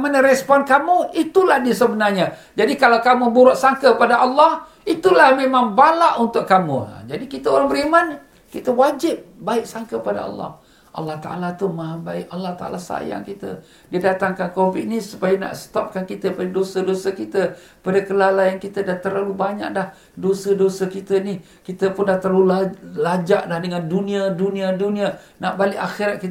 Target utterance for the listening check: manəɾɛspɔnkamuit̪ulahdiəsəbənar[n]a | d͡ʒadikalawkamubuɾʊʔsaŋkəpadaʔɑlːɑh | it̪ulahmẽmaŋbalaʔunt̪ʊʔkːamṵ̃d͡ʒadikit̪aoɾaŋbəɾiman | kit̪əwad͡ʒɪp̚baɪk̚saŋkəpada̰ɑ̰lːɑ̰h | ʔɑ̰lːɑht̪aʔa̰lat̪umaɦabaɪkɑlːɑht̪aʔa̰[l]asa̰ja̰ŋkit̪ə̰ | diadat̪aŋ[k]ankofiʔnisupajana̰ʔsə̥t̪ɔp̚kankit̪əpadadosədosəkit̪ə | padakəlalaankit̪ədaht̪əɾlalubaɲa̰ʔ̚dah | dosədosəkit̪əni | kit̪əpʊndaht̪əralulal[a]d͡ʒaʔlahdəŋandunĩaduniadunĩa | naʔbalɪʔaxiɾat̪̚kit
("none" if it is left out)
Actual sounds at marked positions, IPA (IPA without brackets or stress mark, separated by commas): ɲ, l, k, a